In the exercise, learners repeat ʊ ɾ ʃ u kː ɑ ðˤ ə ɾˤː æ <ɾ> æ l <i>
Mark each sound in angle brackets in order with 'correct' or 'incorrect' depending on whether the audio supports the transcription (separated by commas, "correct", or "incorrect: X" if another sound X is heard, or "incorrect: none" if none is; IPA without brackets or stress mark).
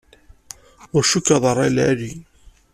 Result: incorrect: l, correct